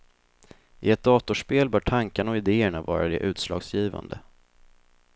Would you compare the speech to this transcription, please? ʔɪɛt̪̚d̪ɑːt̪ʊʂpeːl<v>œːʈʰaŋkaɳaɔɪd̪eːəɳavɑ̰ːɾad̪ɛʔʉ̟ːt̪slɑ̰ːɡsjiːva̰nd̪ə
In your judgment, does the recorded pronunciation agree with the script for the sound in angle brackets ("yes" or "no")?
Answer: no